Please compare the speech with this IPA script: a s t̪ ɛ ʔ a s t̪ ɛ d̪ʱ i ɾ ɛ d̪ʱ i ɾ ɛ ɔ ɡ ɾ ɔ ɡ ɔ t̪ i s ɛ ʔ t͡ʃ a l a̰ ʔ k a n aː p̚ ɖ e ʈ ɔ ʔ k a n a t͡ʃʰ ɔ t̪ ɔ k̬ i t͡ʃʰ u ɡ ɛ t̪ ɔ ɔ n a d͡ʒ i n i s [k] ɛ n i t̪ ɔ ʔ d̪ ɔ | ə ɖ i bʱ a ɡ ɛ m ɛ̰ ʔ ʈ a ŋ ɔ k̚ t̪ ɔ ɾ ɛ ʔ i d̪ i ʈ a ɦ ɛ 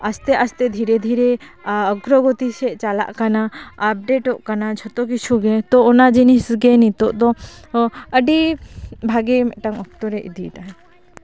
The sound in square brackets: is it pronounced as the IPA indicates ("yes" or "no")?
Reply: no